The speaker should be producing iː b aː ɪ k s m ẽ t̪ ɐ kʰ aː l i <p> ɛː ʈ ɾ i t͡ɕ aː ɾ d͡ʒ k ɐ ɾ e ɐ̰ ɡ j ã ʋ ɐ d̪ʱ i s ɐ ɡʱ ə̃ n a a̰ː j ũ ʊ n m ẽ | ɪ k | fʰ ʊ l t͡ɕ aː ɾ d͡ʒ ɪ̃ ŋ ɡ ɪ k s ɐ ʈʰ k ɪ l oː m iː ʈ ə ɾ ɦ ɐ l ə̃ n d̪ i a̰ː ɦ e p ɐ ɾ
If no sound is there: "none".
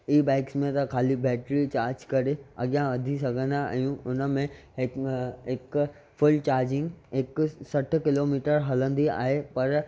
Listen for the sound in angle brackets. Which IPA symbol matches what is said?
b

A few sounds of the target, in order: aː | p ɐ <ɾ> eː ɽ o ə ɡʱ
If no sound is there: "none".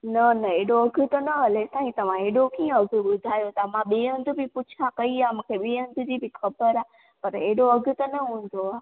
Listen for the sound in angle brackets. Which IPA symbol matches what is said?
ɾ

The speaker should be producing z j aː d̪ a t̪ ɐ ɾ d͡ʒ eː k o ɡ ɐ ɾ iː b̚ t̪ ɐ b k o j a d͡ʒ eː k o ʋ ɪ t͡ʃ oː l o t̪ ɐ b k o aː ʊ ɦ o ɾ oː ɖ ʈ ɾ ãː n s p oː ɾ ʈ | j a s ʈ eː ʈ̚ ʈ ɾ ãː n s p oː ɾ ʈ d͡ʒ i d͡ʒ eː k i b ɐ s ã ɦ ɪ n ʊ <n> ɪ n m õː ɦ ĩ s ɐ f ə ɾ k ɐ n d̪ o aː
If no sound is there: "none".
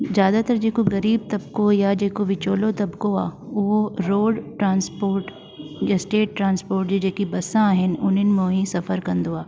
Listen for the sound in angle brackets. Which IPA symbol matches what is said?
n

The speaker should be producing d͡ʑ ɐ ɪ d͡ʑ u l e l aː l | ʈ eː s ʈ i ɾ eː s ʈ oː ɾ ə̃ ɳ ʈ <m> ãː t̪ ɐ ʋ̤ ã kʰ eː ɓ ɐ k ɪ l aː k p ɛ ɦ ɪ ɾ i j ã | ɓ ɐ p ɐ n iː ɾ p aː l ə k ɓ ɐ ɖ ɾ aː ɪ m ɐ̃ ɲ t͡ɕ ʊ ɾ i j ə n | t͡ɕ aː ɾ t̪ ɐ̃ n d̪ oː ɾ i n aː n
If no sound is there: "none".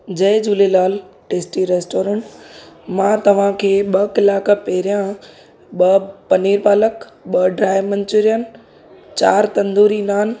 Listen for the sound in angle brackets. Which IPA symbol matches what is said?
m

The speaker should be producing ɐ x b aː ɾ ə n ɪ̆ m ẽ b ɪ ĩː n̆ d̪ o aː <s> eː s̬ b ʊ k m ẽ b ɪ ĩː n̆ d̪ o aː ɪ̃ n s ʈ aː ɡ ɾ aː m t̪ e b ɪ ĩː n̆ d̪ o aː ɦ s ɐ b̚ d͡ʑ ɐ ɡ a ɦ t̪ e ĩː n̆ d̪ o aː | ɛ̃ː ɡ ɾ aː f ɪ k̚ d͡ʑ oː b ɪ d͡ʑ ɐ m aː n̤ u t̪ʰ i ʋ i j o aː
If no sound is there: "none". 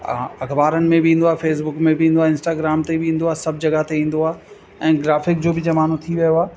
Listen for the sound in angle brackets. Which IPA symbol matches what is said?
f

